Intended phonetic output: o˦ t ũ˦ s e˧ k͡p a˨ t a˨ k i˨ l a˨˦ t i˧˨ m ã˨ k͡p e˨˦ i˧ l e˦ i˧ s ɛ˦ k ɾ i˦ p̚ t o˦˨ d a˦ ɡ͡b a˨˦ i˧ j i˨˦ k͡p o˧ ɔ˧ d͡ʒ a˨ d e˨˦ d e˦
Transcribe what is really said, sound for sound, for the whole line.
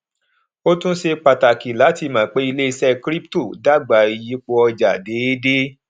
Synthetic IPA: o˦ t ũ˦ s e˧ k͡p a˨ t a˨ k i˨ l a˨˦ t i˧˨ m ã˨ k͡p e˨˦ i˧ l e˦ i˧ s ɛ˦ k ɾ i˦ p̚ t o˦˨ d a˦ ɡ͡b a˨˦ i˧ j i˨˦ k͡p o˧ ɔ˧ d͡ʒ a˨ d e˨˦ d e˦